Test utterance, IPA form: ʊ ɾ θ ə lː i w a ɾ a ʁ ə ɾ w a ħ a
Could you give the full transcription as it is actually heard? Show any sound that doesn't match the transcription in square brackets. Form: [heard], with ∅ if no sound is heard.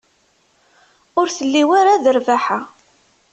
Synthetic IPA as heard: ʊ ɾ θ ə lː i w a ɾ a [ð] ə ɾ [v] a ħ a